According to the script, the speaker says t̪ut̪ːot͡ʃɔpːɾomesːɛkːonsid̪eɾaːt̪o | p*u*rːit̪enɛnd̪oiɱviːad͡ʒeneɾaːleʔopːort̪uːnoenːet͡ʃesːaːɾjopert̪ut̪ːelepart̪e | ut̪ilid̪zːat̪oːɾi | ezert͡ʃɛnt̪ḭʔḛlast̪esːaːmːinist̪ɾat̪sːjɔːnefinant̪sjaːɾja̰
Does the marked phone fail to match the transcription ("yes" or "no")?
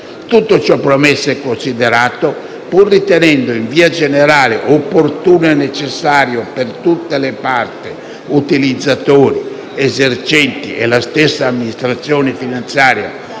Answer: no